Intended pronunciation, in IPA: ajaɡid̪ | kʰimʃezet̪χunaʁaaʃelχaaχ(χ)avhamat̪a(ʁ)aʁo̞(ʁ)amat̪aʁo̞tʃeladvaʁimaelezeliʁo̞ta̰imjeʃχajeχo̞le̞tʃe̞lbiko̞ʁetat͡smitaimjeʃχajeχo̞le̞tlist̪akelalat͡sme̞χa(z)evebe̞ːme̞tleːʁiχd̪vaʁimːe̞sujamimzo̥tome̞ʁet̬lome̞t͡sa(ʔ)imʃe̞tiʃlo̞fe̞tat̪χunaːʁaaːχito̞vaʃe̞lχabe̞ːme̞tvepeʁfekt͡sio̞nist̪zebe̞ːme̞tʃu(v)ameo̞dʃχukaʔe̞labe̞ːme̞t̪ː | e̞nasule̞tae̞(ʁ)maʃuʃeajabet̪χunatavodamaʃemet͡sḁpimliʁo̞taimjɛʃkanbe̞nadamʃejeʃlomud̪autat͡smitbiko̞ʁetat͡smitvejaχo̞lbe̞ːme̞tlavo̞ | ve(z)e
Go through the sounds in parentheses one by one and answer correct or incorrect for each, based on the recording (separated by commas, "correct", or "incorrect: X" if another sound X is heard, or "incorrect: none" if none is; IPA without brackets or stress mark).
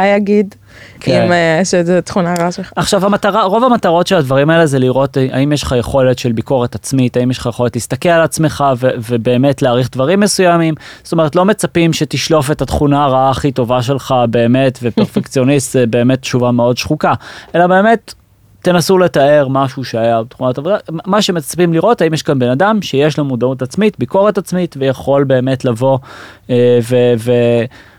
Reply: incorrect: ʃ, correct, incorrect: v, incorrect: v, incorrect: p, correct, correct, incorrect: v